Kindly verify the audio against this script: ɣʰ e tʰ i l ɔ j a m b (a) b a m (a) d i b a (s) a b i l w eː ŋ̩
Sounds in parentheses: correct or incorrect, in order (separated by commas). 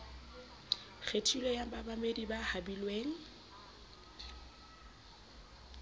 correct, incorrect, incorrect